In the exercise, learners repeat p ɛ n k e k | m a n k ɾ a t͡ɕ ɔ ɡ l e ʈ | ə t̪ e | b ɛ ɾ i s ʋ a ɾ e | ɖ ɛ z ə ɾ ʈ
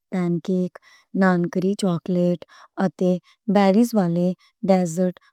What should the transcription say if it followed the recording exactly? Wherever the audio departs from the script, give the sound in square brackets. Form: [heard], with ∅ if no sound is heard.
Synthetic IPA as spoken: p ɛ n k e k | [n] a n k ɾ [i] t͡ɕ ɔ [k] l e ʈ | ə t̪ e | b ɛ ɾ i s ʋ a [l] e | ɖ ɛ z ə ɾ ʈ